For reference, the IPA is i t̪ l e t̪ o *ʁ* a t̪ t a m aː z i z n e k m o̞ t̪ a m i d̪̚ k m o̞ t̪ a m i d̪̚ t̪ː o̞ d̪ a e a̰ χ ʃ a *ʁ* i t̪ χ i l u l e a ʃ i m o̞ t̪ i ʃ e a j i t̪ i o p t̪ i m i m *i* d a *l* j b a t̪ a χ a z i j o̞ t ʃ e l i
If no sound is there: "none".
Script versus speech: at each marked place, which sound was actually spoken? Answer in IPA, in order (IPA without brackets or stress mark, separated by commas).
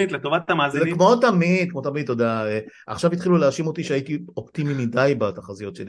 v, v, i, none